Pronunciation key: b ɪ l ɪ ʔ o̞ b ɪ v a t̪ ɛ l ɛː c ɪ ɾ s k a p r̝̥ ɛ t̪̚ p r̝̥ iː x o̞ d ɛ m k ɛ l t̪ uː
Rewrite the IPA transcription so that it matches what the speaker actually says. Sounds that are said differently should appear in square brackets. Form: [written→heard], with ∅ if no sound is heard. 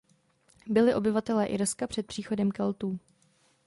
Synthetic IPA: b ɪ l ɪ ʔ o̞ b ɪ v a t̪ ɛ l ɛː [c→ʔ] ɪ ɾ s k a p r̝̥ ɛ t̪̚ p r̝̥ iː x o̞ d ɛ m k ɛ l t̪ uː